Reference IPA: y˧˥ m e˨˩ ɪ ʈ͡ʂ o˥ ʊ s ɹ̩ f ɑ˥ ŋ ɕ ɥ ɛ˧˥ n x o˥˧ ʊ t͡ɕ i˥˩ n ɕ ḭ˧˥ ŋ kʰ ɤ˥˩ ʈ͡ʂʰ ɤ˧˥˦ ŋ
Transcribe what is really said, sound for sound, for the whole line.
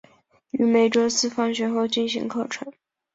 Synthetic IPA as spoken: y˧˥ m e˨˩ ɪ ʈ͡ʂ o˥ ʊ s ɹ̩ f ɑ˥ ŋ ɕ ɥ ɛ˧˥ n x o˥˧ ʊ t͡ɕ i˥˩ n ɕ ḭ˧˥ ŋ kʰ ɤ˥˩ ʈ͡ʂʰ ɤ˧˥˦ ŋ